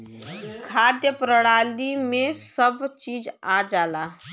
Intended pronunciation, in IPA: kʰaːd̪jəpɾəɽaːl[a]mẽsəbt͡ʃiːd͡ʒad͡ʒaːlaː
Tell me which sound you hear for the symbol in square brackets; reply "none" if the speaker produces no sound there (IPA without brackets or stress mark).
i